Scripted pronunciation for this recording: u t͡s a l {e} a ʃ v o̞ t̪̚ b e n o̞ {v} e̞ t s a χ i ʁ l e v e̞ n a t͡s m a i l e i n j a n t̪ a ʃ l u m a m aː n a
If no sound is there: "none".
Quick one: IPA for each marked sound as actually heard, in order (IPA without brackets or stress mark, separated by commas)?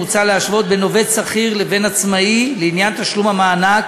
e, v